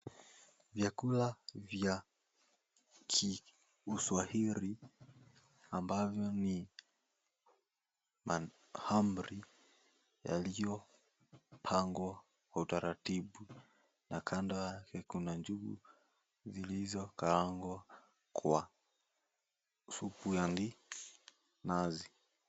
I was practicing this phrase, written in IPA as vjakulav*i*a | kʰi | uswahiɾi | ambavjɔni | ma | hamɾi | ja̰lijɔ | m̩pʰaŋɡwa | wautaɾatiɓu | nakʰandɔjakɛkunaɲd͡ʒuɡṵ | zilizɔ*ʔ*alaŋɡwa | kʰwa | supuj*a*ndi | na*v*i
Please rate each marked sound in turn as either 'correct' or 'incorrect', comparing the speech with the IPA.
incorrect, incorrect, correct, incorrect

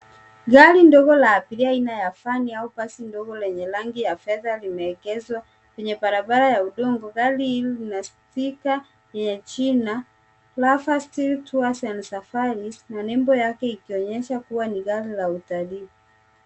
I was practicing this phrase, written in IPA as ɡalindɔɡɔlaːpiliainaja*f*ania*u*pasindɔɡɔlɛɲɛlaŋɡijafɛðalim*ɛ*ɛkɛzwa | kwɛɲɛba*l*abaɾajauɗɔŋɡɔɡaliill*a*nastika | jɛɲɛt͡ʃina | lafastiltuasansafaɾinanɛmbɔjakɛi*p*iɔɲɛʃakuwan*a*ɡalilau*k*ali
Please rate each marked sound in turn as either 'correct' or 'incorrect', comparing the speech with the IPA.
correct, correct, correct, incorrect, incorrect, incorrect, incorrect, incorrect

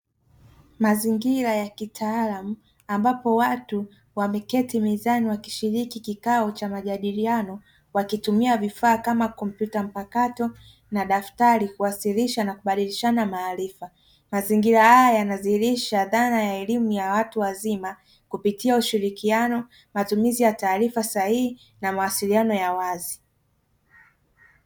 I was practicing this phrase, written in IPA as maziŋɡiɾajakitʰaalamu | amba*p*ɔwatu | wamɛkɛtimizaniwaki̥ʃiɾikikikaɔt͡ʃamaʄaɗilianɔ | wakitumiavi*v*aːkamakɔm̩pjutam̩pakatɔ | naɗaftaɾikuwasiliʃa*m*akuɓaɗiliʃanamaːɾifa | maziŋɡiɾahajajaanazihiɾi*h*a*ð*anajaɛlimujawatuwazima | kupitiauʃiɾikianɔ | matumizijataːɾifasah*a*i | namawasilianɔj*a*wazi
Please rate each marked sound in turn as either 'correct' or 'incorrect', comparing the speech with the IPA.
correct, incorrect, incorrect, incorrect, correct, incorrect, correct

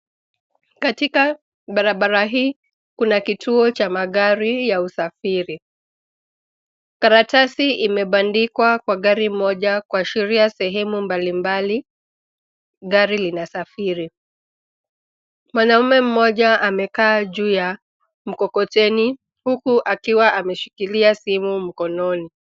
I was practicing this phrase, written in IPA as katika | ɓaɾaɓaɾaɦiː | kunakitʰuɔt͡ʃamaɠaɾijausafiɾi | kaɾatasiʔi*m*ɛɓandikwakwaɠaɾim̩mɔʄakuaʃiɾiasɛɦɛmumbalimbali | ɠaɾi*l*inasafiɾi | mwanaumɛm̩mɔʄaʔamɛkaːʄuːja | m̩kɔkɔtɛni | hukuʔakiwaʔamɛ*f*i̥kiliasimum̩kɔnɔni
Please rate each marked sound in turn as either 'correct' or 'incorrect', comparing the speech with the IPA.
correct, correct, incorrect

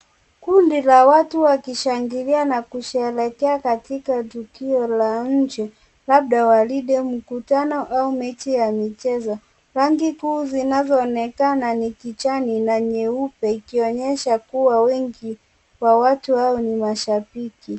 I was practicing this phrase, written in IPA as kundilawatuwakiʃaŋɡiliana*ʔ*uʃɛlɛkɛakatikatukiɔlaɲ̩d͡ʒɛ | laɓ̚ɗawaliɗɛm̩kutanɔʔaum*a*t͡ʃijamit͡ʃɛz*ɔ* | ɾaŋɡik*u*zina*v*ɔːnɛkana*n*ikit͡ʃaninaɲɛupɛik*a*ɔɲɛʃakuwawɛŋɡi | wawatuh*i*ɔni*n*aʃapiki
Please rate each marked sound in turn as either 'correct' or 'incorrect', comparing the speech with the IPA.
incorrect, incorrect, correct, incorrect, incorrect, correct, incorrect, incorrect, incorrect

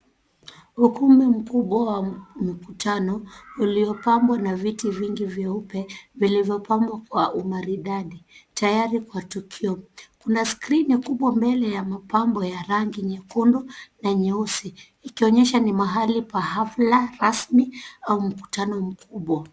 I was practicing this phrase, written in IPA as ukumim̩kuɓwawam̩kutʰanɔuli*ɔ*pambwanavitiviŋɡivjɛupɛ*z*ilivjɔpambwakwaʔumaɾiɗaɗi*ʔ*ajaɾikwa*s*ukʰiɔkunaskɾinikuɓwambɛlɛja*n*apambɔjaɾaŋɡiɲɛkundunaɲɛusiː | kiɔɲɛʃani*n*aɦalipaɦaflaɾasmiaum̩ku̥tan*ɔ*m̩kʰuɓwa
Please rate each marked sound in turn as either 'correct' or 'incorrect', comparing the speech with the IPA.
correct, incorrect, incorrect, incorrect, incorrect, incorrect, correct

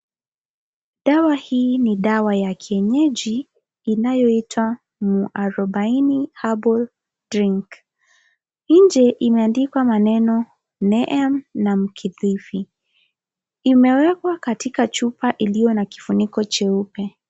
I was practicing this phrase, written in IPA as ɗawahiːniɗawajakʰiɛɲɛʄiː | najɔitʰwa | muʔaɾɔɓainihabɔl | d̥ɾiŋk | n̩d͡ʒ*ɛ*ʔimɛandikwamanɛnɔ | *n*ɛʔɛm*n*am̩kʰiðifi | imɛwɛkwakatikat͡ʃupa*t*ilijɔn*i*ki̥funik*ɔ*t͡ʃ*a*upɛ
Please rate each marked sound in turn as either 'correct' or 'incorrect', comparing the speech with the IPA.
correct, correct, correct, incorrect, incorrect, correct, incorrect

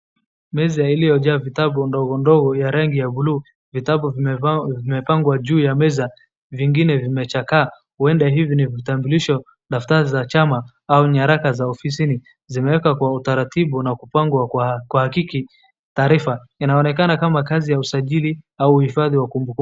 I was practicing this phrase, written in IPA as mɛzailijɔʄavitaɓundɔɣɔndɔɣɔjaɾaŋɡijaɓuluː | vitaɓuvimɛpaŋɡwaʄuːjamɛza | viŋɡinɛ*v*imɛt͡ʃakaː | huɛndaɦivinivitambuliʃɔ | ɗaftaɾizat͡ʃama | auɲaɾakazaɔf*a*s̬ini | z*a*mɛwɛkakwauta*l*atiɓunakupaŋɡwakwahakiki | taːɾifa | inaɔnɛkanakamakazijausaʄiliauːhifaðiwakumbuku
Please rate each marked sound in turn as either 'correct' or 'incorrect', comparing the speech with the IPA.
correct, incorrect, incorrect, incorrect

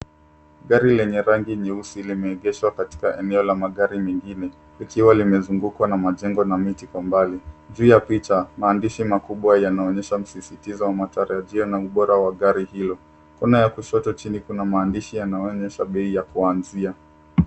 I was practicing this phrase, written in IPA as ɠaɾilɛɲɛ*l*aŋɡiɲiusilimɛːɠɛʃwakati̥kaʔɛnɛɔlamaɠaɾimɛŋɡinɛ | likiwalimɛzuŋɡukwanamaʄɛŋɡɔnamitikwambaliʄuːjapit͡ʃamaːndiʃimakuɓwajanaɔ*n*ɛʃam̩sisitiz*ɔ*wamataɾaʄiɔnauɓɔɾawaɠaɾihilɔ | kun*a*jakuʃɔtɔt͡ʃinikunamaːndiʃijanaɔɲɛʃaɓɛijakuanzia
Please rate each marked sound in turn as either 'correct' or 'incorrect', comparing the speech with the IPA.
incorrect, incorrect, correct, correct

